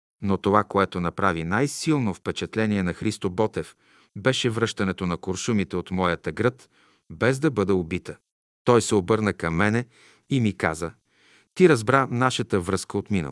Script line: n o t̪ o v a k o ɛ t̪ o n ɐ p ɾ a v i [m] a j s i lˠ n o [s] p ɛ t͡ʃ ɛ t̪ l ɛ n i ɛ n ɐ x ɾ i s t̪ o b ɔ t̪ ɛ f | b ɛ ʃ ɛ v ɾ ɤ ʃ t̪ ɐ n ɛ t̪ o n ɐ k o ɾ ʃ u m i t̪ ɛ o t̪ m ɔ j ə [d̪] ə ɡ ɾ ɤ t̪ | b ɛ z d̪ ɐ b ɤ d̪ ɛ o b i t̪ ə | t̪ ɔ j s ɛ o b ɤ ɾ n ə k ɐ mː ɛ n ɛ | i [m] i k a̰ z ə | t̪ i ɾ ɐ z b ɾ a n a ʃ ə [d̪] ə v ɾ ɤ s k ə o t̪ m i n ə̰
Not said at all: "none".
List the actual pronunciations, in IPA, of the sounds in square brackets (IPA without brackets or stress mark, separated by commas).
n, f, t̪, m, t̪